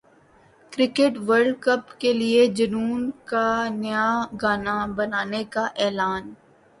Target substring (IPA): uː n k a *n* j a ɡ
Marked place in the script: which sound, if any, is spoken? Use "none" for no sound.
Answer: n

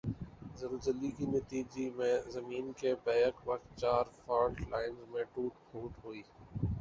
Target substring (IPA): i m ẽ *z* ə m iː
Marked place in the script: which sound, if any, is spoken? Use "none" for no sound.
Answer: z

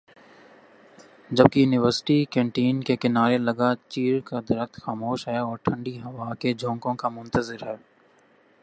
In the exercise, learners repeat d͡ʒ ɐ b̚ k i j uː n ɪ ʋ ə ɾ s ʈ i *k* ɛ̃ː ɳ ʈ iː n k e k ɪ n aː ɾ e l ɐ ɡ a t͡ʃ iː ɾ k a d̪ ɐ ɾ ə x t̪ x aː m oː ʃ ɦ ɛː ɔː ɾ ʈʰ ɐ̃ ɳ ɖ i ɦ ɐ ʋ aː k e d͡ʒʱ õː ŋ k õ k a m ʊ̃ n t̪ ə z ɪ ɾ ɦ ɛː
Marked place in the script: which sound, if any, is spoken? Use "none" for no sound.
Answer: k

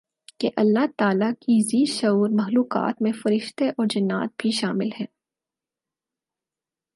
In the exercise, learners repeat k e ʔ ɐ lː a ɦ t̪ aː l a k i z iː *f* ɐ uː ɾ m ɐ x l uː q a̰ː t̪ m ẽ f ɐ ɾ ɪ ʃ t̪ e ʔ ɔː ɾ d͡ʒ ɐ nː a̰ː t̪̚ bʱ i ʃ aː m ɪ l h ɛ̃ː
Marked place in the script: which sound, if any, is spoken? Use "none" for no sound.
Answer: ʃ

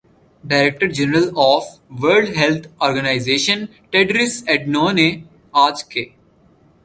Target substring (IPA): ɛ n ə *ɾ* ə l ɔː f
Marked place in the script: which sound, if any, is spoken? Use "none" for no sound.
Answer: ɾ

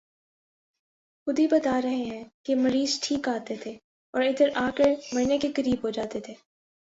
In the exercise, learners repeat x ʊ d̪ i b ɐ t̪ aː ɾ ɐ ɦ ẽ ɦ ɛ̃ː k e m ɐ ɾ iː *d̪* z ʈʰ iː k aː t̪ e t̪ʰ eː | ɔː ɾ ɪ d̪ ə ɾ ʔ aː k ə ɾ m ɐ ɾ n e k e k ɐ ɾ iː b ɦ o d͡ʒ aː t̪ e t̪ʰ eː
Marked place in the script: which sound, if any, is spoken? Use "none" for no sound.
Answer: none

